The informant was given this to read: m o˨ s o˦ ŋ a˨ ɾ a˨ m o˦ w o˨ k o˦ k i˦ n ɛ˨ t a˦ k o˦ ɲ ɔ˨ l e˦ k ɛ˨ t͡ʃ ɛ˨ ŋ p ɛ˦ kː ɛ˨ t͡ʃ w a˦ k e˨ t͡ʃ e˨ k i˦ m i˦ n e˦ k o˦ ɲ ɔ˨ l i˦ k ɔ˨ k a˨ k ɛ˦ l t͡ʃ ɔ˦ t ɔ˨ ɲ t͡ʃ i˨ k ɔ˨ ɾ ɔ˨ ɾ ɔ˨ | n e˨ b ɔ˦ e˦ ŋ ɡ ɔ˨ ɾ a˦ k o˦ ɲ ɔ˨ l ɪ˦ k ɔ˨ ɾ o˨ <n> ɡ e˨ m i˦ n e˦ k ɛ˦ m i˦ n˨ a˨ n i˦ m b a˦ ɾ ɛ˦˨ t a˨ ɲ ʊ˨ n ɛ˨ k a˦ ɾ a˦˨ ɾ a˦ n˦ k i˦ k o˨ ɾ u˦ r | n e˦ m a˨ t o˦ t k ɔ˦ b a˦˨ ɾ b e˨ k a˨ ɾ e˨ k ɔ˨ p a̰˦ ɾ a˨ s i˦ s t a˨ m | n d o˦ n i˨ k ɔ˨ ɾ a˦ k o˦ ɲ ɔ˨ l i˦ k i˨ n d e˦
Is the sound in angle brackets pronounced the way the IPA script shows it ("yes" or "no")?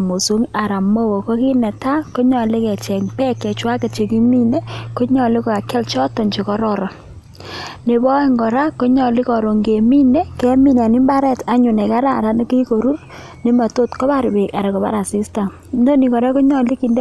no